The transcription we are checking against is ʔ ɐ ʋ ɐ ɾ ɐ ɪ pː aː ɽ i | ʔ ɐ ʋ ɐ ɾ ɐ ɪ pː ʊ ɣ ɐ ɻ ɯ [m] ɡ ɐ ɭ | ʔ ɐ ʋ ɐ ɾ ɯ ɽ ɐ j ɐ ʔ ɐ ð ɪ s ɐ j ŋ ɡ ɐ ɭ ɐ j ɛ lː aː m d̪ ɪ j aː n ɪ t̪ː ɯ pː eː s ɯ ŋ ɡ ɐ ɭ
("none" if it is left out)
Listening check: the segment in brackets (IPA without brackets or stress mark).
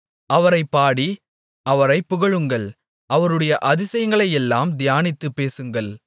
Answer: ŋ